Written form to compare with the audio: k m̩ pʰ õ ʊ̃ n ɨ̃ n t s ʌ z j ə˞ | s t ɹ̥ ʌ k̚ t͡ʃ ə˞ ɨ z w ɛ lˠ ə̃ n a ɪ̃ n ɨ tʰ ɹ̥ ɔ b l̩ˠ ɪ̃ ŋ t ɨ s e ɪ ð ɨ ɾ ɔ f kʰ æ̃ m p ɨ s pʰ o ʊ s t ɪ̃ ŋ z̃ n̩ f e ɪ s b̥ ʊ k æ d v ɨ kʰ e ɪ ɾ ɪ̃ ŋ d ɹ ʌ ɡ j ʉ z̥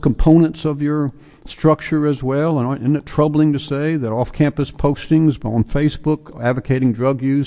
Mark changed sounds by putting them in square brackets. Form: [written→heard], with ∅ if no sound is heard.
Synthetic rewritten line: k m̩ pʰ õ ʊ̃ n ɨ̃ n t s ʌ [z→v] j ə˞ | s t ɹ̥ ʌ k̚ t͡ʃ ə˞ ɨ z w ɛ lˠ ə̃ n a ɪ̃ n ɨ tʰ ɹ̥ [ɔ→ʌ] b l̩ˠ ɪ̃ ŋ t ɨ s e ɪ ð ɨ ɾ ɔ f kʰ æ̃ m p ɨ s pʰ o ʊ s t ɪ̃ ŋ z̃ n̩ f e ɪ s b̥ ʊ k æ d v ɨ kʰ e ɪ ɾ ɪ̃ ŋ d ɹ ʌ ɡ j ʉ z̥